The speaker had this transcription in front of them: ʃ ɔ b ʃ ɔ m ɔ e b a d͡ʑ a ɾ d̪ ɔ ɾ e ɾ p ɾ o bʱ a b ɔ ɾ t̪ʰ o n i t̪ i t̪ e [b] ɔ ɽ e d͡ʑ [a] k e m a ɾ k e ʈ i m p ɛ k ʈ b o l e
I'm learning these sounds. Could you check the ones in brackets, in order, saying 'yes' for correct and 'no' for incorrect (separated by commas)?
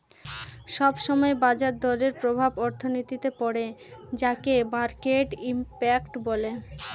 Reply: no, yes